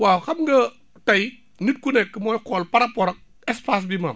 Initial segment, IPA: w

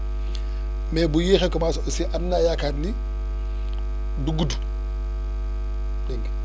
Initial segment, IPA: m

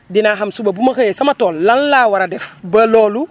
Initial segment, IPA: d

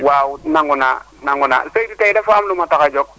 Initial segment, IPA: w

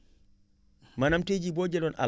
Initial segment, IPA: m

